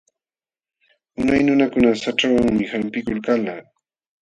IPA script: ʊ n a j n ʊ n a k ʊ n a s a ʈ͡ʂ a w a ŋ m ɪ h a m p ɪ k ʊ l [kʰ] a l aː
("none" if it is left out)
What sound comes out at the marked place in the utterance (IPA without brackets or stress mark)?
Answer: k